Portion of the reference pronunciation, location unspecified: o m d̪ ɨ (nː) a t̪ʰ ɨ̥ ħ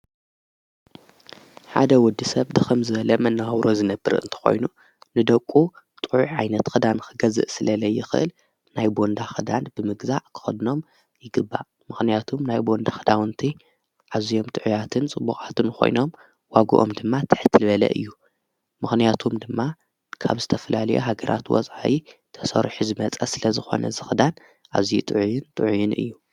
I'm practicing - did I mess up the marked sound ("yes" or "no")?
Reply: yes